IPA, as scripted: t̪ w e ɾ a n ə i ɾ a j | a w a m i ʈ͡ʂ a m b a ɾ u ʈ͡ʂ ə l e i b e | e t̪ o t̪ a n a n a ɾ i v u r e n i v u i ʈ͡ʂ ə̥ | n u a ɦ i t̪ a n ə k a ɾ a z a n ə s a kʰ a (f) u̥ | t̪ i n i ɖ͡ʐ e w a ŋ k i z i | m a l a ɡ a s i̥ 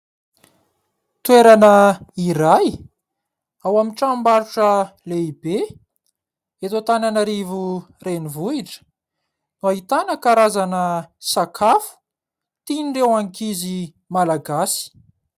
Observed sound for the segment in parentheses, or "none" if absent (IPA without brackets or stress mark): f